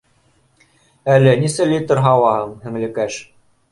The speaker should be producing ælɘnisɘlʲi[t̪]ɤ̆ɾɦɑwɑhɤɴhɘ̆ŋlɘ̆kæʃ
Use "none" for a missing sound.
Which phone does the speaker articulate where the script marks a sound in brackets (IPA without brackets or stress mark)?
t̪